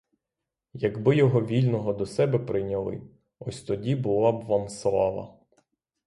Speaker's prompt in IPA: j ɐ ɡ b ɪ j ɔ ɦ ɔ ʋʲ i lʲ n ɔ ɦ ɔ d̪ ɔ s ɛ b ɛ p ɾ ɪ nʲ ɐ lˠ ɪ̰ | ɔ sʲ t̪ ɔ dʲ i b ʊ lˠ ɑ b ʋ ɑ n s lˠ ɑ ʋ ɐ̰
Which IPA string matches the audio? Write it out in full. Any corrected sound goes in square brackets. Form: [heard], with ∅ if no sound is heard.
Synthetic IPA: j ɐ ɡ b ɪ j ɔ ɦ ɔ ʋʲ i lʲ n ɔ ɦ ɔ d̪ ɔ s ɛ b ɛ p ɾ ɪ nʲ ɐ lˠ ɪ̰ | ɔ sʲ t̪ ɔ dʲ i b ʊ lˠ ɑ b ʋ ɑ [m] s lˠ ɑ ʋ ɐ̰